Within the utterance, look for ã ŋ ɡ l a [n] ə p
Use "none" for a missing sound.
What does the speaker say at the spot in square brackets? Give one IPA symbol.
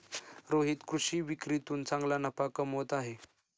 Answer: n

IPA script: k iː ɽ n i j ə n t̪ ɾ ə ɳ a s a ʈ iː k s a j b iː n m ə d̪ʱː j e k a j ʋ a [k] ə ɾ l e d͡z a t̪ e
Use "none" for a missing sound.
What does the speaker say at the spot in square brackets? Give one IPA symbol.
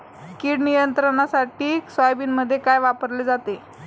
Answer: p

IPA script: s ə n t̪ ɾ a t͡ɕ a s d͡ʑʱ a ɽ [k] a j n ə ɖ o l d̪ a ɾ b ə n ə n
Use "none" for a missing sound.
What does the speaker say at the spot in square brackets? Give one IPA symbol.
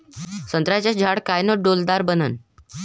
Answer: k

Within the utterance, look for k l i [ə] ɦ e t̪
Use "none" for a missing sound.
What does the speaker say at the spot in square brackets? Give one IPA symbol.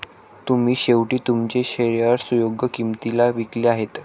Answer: a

